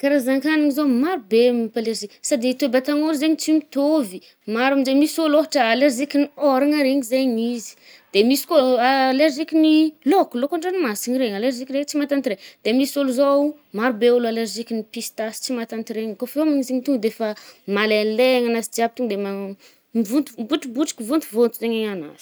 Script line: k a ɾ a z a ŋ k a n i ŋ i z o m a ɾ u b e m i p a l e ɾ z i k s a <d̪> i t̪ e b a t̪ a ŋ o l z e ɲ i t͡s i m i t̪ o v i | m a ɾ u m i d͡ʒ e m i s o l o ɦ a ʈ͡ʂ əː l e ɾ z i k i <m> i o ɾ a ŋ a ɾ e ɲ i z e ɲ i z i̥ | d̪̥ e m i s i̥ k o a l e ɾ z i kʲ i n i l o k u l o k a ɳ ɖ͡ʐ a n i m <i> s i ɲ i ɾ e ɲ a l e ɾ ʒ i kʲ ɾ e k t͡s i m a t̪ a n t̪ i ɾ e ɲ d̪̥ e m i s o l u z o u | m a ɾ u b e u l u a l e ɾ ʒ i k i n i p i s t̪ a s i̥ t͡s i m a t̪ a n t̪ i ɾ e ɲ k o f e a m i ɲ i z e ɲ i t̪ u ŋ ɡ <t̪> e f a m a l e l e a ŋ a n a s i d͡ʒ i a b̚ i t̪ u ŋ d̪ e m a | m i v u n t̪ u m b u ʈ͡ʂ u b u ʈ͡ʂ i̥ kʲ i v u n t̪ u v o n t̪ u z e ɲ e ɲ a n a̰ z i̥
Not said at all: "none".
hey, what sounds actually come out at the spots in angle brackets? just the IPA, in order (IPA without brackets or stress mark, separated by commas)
d̪, n, a, d̪